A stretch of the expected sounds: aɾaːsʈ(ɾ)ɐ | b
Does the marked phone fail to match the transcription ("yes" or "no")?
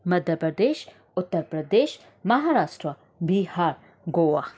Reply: no